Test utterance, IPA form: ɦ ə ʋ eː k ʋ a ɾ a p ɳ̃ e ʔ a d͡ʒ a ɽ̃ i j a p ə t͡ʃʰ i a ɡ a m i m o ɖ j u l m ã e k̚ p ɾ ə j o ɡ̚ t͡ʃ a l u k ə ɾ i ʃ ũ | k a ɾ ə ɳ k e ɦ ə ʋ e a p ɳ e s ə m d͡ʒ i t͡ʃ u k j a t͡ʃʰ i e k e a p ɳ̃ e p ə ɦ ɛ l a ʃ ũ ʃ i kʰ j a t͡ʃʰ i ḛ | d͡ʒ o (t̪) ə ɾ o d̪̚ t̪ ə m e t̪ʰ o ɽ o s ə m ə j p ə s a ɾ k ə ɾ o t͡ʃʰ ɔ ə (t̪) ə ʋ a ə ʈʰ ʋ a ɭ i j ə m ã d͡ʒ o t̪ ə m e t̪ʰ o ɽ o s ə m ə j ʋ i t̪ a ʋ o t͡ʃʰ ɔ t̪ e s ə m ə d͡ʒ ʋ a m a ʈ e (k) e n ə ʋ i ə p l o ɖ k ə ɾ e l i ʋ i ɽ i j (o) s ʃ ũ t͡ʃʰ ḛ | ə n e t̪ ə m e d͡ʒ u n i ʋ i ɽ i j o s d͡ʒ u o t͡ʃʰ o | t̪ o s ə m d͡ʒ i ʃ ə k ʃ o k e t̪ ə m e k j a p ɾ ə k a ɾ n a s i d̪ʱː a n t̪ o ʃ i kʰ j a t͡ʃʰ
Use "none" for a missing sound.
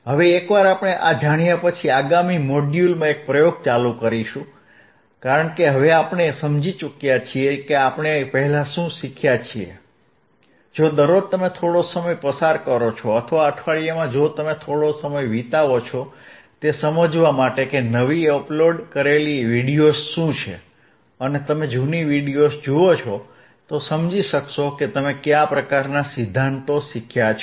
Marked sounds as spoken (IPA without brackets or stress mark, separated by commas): d̪, t̪ʰ, k, o